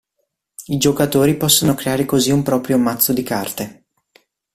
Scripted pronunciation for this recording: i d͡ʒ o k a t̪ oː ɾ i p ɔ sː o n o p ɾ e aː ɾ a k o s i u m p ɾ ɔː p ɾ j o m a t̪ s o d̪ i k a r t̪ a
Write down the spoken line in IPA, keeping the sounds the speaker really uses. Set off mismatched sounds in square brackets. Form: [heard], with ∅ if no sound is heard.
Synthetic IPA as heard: i d͡ʒ o k a t̪ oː ɾ i p ɔ sː o n o [k] ɾ e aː ɾ [e] k o [z] i u m p ɾ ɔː p ɾ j o m a t̪ [sː] o d̪ i k a r t̪ [e]

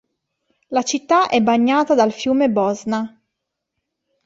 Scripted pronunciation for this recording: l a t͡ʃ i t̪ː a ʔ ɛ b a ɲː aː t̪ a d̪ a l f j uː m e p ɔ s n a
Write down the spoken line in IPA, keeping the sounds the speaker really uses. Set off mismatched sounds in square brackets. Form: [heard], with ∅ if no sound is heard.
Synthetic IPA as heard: l a t͡ʃ i t̪ː a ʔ ɛ b a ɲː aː t̪ a d̪ a l f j uː m e [b] ɔ [z] n a

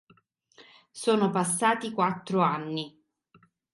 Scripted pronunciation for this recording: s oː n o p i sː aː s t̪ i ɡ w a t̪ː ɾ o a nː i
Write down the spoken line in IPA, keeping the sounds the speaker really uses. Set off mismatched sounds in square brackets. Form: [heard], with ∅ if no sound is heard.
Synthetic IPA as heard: s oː n o p [a] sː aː [∅] t̪ i [k] w a t̪ː ɾ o a nː i

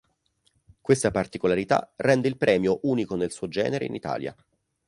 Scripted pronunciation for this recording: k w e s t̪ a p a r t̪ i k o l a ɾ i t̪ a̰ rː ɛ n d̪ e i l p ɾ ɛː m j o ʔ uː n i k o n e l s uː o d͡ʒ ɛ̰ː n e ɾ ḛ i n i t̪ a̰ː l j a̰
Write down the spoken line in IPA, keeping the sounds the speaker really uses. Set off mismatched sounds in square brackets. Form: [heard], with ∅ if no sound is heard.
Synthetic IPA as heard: k w e s t̪ a p a r t̪ i k o l a ɾ i t̪ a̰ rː ɛ n d̪ e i l p ɾ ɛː m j o ʔ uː n i k o n e l s uː o d͡ʒ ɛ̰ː n e ɾ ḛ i n i t̪ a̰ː l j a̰

